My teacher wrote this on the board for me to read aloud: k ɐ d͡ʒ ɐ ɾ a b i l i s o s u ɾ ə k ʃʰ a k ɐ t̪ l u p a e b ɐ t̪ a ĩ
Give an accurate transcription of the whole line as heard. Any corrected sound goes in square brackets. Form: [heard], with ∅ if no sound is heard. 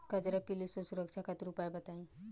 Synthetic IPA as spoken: k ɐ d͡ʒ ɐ ɾ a [p] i l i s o s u ɾ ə k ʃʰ a k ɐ t̪ [ɾ] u p a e b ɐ t̪ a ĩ